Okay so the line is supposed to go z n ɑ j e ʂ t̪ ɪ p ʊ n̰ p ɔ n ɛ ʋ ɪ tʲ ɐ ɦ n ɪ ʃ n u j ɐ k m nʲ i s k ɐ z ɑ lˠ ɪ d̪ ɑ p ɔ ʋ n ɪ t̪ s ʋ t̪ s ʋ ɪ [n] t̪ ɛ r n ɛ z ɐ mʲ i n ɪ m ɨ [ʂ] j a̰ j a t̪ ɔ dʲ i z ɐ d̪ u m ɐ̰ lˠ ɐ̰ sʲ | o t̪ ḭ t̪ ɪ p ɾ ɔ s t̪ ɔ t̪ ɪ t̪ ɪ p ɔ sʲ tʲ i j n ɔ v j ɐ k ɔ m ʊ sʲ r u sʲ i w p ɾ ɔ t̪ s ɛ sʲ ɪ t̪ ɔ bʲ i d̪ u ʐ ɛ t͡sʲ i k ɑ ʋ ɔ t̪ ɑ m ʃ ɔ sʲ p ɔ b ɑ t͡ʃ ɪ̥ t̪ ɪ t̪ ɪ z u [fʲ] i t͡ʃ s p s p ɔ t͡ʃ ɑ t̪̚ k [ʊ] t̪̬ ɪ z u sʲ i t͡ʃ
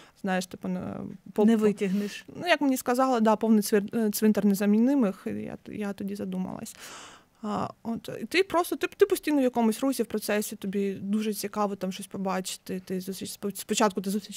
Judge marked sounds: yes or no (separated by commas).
yes, no, no, yes